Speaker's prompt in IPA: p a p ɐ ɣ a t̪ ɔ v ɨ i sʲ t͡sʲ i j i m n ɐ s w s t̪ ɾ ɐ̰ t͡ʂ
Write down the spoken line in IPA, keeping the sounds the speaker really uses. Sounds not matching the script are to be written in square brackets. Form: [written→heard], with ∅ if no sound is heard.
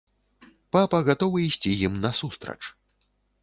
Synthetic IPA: p a p ɐ ɣ a t̪ ɔ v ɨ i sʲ t͡sʲ i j i m n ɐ s [w→u] s t̪ ɾ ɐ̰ t͡ʂ